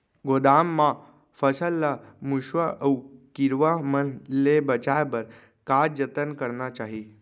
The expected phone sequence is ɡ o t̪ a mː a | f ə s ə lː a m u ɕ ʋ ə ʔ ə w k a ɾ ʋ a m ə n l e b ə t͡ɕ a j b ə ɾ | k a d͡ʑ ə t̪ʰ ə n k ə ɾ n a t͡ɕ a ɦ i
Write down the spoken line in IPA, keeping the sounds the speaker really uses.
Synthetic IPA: ɡ o d̪ a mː a | f ə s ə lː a m u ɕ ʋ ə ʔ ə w k i ɾ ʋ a m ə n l e b ə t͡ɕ a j b ə ɾ | k a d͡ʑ ə t̪ ə n k ə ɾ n a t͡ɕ a ɦ i